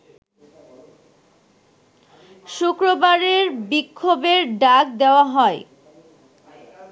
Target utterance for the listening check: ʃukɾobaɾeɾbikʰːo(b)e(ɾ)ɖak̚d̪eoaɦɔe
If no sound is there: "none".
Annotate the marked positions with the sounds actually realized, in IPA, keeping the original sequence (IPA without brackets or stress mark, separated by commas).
b, ɾ